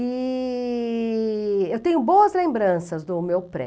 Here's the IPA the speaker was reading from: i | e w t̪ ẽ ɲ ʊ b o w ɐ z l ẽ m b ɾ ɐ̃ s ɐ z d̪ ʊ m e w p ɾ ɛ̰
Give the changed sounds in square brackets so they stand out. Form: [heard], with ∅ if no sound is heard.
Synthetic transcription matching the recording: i | e w t̪ ẽ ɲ ʊ b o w ɐ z l ẽ m b ɾ ɐ̃ s ɐ z d̪ ʊ m e w p ɾ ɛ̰